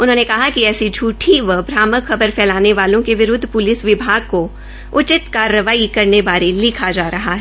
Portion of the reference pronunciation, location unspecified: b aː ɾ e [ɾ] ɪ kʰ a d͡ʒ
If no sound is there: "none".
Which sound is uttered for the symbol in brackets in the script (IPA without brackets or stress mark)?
l